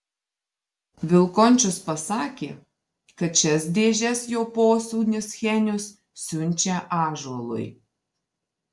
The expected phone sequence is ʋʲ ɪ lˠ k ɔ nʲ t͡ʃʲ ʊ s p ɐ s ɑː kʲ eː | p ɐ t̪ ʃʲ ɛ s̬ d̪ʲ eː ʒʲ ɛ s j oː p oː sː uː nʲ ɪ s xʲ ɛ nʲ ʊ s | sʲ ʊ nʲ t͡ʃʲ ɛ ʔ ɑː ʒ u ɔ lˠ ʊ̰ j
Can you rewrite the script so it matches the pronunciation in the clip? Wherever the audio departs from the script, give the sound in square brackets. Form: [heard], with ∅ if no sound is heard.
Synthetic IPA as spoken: ʋʲ ɪ lˠ k ɔ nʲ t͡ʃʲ ʊ s p ɐ s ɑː kʲ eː | [k] ɐ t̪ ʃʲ ɛ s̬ d̪ʲ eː ʒʲ ɛ s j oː p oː [s] uː nʲ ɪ s xʲ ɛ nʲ ʊ s | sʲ ʊ nʲ t͡ʃʲ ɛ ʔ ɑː ʒ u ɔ lˠ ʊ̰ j